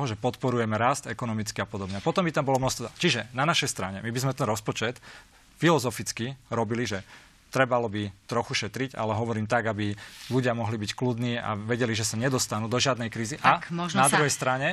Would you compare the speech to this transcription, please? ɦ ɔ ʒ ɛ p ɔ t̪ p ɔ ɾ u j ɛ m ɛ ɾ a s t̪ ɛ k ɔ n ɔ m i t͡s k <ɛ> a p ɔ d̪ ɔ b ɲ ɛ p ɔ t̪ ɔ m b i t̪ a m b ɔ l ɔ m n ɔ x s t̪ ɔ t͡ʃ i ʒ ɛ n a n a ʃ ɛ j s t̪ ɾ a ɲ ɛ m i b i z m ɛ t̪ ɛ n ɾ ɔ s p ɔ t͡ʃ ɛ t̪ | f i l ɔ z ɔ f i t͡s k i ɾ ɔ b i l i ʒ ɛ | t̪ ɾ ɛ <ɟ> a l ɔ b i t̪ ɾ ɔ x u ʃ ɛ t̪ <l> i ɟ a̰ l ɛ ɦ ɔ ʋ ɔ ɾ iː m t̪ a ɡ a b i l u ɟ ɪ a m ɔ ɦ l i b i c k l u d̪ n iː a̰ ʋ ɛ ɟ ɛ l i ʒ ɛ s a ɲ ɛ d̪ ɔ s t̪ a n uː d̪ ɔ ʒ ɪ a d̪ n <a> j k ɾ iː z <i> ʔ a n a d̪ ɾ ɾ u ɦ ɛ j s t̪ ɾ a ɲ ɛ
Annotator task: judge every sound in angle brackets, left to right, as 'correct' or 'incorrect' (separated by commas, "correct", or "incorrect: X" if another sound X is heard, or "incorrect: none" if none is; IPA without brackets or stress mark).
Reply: incorrect: i, incorrect: b, incorrect: ɾ, incorrect: ɛ, correct